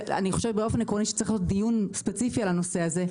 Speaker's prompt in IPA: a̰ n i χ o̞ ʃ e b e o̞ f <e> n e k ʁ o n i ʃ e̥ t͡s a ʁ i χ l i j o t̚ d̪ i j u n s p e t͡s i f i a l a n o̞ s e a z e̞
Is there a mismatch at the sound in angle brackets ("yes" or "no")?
no